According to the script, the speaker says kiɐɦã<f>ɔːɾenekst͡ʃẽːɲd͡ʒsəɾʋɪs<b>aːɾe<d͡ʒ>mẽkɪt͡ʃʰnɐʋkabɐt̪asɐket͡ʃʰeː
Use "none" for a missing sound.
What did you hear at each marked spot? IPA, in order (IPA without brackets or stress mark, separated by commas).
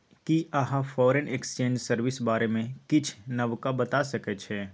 f, b, none